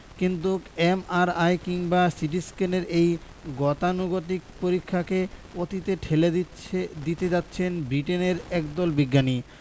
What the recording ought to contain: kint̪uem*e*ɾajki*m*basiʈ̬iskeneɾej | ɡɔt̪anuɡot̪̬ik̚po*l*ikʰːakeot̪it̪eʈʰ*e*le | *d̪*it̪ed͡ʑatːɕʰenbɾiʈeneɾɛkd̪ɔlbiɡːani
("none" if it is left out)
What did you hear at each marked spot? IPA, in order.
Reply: a, ŋ, ɾ, e, d̪

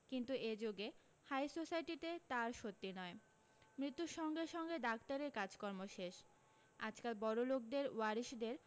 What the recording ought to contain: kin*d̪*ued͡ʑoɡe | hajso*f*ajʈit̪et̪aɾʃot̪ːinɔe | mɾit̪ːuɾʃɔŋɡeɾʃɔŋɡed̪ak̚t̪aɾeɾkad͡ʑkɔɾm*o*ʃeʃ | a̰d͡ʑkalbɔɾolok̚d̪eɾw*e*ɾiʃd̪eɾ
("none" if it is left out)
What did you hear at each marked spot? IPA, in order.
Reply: t̪, s, o, a

